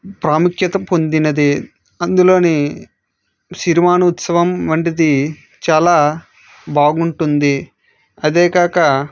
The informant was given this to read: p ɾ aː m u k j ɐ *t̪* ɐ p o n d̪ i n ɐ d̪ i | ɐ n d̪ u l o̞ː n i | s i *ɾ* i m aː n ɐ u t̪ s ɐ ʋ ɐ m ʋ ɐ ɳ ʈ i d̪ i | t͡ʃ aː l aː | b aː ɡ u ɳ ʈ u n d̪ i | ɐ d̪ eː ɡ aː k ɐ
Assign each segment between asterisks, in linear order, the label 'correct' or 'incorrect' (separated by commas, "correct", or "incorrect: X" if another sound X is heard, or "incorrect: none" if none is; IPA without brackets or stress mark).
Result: correct, correct